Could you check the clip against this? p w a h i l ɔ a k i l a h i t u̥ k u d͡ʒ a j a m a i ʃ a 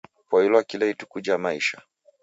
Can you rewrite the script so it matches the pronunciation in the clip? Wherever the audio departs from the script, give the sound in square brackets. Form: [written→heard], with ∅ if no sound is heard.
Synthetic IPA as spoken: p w a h i l ɔ a k i l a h i t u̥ k u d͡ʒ a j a m a i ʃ a